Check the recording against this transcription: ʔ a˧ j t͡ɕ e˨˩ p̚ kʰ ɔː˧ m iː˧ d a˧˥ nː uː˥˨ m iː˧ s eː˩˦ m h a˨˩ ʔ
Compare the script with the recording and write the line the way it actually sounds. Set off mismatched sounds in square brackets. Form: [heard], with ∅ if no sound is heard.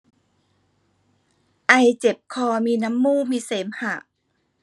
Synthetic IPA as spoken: ʔ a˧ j t͡ɕ e˨˩ p̚ kʰ ɔː˧ m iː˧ [n] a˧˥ [mː] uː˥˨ m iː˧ s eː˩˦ m h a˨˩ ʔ